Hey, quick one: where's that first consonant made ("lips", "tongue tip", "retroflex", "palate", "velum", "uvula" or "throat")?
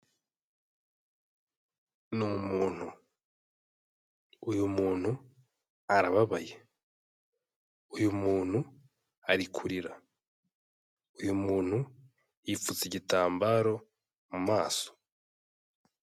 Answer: tongue tip